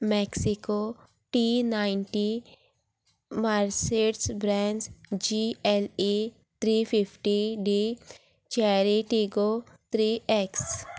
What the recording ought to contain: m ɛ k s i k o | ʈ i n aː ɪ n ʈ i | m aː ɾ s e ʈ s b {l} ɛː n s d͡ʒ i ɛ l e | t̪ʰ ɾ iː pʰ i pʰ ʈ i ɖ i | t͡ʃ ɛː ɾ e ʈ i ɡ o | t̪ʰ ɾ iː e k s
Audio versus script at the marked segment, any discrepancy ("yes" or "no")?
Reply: yes